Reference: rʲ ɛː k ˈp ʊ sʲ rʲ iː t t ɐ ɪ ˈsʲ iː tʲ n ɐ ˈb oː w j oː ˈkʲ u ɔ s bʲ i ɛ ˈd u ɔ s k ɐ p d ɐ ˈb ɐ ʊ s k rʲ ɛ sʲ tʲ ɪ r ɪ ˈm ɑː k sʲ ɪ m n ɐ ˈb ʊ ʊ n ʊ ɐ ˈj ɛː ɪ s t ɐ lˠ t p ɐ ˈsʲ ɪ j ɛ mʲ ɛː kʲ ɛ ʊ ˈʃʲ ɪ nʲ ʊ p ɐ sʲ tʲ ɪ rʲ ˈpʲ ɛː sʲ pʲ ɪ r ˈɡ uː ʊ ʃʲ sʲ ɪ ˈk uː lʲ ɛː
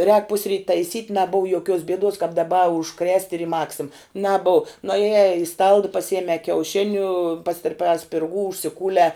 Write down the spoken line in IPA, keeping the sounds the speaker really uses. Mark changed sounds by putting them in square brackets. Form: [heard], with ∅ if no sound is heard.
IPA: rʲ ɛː k ˈp ʊ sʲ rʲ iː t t ɐ ɪ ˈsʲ iː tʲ n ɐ ˈb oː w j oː ˈkʲ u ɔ s bʲ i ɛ ˈd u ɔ s k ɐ p d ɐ ˈb ɐ ʊ [ʃ] k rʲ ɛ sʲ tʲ ɪ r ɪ ˈm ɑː k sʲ ɪ m n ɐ ˈb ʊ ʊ n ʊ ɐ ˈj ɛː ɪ s t ɐ lˠ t p ɐ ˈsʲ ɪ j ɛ mʲ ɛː kʲ ɛ ʊ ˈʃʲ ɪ nʲ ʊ p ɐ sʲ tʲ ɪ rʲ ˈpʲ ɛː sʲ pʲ ɪ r ˈɡ uː ʊ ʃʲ sʲ ɪ ˈk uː lʲ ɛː